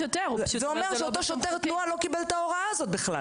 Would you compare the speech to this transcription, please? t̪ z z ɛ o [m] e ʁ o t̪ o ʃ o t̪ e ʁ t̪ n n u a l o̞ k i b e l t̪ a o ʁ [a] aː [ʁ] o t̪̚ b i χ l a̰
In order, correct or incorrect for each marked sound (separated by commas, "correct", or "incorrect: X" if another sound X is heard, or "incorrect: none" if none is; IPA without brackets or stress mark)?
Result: correct, correct, incorrect: z